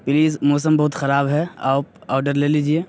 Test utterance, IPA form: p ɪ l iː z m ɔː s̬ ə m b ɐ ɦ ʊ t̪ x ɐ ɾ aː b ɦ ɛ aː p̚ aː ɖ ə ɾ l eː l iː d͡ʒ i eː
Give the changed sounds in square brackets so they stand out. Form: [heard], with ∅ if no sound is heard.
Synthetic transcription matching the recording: p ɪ l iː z m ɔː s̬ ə m b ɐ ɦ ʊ t̪ x ɐ ɾ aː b ɦ ɛ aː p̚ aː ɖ ə ɾ l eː l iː d͡ʒ i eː